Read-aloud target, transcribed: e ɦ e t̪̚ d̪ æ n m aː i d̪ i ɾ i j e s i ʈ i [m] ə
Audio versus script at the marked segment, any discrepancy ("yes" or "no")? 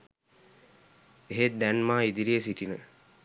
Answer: yes